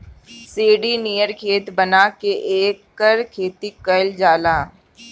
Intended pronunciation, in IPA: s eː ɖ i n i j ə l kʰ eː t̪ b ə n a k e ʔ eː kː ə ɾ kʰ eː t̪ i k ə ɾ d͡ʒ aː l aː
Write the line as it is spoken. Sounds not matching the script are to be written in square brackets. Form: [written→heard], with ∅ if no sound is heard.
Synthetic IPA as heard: s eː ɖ i n i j ə [l→ɾ] kʰ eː t̪ b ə n a k e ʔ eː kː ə ɾ kʰ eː t̪ i k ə [ɾ→l] d͡ʒ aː l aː